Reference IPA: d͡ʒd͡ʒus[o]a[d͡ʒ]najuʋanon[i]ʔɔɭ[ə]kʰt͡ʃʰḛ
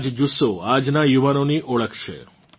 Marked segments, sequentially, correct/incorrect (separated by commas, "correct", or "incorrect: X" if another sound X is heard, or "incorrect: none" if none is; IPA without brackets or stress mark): correct, correct, correct, correct